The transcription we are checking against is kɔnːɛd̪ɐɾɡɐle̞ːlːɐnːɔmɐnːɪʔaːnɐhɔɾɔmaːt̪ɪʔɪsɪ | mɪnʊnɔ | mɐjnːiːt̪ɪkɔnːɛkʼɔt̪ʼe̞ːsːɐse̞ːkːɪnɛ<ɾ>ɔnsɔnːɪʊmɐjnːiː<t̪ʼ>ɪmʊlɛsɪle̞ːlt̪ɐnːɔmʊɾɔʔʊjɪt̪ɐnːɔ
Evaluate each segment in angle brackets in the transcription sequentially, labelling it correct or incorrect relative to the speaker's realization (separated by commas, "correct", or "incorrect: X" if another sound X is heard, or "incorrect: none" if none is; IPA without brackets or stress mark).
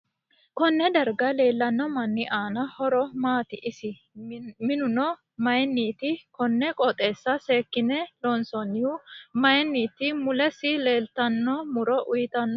incorrect: l, incorrect: t̪